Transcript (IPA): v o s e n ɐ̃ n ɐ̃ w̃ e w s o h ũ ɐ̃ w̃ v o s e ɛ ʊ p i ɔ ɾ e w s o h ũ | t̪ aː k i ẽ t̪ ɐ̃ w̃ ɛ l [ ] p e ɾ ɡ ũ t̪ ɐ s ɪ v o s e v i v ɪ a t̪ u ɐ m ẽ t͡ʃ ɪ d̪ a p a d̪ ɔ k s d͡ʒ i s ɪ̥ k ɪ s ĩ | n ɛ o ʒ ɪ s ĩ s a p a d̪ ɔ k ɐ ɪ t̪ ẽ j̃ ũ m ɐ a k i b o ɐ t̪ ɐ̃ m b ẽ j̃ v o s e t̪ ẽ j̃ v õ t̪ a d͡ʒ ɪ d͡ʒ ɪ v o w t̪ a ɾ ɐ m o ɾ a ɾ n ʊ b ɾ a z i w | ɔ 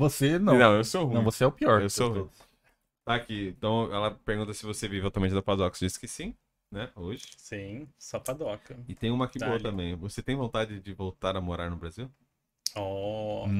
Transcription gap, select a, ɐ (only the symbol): ɐ